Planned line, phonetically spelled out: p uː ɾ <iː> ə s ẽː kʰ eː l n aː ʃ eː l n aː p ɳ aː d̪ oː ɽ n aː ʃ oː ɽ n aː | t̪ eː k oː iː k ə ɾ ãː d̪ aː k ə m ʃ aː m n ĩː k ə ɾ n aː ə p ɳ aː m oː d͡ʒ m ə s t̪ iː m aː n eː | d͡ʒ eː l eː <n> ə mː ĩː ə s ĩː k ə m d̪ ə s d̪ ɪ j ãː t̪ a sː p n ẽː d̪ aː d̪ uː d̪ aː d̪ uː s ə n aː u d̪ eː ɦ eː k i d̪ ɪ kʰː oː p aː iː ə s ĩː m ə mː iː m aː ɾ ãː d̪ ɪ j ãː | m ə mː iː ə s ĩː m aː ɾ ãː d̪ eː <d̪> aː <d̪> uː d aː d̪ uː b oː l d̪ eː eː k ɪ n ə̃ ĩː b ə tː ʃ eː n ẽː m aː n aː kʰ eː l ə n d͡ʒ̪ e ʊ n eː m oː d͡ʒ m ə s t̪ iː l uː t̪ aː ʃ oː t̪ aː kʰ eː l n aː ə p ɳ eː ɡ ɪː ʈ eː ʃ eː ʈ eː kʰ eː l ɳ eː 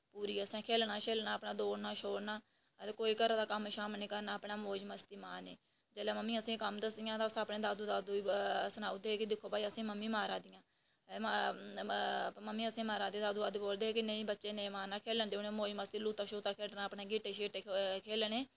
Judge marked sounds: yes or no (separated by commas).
yes, no, yes, yes